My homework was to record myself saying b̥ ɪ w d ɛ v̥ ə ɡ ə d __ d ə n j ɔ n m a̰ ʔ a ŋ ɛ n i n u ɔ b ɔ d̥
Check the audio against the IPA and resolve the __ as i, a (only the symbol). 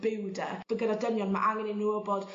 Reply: a